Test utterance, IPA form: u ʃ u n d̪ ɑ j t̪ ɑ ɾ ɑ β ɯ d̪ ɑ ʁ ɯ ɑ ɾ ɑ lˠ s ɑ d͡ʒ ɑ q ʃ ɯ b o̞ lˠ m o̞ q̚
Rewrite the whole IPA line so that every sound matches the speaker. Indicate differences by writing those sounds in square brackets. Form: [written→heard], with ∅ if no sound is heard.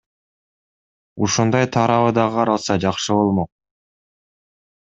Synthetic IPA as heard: u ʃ u n d̪ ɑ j [t̪→t̪ʰ] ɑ ɾ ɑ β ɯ d̪ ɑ ʁ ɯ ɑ ɾ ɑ lˠ s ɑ d͡ʒ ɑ q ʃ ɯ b o̞ lˠ m o̞ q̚